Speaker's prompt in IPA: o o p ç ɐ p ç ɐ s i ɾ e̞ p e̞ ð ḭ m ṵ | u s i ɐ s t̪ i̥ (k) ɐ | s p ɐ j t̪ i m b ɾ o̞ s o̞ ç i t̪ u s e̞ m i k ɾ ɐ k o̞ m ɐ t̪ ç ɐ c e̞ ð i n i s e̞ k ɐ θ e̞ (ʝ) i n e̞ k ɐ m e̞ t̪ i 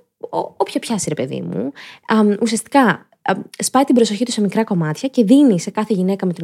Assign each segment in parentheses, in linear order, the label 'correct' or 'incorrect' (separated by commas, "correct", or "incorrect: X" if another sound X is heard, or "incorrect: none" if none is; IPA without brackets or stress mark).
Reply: correct, correct